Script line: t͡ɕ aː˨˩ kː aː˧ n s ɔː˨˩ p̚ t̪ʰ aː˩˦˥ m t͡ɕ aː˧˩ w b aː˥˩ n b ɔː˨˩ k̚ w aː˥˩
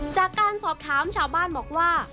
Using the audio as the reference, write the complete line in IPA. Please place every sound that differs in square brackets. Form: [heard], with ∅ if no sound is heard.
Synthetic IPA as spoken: t͡ɕ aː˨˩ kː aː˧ n s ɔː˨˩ p̚ t̪ʰ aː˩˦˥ m [t͡ɕʰ] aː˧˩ w b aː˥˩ n b ɔː˨˩ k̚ w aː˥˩

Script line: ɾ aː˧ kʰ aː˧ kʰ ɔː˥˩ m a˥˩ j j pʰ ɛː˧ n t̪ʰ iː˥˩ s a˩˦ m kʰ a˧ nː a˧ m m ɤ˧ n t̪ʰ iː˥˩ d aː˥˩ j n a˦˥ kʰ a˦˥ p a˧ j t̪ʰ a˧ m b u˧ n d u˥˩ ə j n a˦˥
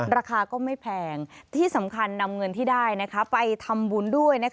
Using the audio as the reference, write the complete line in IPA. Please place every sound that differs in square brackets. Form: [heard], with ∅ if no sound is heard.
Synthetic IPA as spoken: ɾ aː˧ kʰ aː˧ [k] ɔː˥˩ m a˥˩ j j pʰ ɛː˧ [ŋ] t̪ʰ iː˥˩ s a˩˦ m kʰ a˧ nː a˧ m [ŋ] ɤ˧ n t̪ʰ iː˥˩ d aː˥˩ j n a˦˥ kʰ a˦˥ p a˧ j t̪ʰ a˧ m b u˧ n d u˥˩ ə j n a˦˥

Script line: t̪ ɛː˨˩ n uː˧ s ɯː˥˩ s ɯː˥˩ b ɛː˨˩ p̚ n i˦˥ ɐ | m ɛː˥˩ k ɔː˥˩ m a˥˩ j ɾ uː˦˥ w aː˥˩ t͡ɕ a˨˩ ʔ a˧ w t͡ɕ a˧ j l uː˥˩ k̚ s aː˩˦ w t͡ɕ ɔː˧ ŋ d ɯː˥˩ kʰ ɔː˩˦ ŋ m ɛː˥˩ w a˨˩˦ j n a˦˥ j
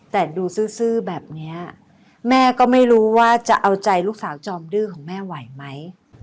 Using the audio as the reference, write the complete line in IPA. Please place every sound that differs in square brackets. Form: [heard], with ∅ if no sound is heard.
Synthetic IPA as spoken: t̪ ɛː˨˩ [d] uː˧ s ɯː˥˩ s ɯː˥˩ b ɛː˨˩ p̚ n i˦˥ ɐ | m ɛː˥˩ k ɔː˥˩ m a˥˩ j ɾ uː˦˥ w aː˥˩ t͡ɕ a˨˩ ʔ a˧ w t͡ɕ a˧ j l uː˥˩ k̚ s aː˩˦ w t͡ɕ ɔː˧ [m] d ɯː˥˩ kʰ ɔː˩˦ ŋ m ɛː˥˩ w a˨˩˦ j [m] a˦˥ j

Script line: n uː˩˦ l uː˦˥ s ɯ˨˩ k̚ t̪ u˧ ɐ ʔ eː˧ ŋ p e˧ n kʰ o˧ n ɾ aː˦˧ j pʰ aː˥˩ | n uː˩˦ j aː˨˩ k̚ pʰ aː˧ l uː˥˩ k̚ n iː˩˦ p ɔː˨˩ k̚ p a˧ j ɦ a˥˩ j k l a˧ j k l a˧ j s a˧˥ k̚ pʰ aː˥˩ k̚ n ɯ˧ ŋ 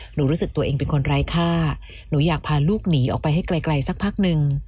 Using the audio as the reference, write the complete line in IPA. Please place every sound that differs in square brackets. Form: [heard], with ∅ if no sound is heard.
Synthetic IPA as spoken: n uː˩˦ [ɾ] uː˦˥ s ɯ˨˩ k̚ t̪ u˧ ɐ ʔ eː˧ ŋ p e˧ n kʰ o˧ n ɾ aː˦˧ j [kʰ] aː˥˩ | n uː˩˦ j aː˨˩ k̚ pʰ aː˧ l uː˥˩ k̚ n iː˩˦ [ʔ] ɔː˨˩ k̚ p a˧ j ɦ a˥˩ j k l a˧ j k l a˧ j s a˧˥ k̚ pʰ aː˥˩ k̚ n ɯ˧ ŋ

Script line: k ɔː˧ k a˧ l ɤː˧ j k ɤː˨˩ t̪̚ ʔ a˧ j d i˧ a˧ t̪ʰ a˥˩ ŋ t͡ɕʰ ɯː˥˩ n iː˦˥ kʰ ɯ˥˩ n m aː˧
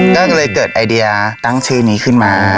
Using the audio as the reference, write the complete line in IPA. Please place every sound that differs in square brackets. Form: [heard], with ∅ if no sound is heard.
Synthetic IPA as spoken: k [ɔː˥˩] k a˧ l ɤː˧ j k ɤː˨˩ t̪̚ ʔ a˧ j d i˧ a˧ [t̪] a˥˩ ŋ t͡ɕʰ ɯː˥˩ n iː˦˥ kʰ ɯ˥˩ n m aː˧

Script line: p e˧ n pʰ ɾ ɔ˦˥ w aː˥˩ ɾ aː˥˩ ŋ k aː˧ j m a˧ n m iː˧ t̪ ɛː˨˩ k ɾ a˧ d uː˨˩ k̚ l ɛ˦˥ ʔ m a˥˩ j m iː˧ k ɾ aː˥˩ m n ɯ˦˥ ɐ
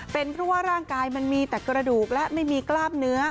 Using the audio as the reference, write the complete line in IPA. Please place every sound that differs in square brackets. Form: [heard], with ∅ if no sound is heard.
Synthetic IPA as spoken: p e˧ n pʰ ɾ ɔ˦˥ w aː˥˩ ɾ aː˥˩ ŋ k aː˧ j m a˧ n m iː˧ t̪ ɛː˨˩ k ɾ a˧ d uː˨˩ k̚ l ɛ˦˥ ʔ m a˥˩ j m iː˧ k [l] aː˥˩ m n ɯ˦˥ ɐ

